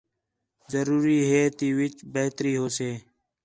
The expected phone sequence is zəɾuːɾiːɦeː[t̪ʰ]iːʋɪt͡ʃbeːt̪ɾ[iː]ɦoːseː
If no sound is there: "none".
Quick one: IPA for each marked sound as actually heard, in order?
t̪, iː

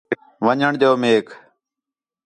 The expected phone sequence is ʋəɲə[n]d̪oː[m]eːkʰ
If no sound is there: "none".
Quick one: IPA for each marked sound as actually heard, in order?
ɳ, m

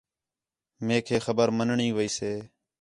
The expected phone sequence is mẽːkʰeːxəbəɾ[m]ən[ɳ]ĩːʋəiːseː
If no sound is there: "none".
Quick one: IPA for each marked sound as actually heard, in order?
m, ɳ

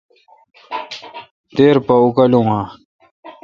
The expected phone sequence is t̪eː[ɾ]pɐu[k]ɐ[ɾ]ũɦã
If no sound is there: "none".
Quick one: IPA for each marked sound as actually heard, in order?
ɾ, k, l

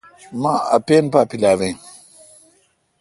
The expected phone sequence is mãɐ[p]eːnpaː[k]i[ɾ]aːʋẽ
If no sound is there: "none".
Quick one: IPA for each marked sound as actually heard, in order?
p, p, l

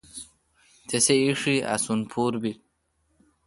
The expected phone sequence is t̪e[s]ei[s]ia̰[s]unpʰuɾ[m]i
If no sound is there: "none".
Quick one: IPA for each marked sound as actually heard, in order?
s, ʂ, s, b

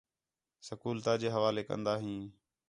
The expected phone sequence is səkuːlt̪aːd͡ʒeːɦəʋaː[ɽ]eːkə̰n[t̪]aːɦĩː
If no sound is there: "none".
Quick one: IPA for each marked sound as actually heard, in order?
l, d̪

